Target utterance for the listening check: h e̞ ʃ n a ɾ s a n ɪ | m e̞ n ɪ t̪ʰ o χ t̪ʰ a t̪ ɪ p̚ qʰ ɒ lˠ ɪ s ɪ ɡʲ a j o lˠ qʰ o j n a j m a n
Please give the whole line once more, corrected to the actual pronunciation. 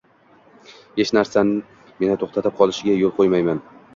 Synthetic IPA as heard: h e̞ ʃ n a ɾ s a n ɪ | m e̞ n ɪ t̪ʰ o χ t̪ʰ a t̪ ɪ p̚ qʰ ɒ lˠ ɪ ʃ ɪ ɡʲ a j o lˠ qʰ o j m a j m a n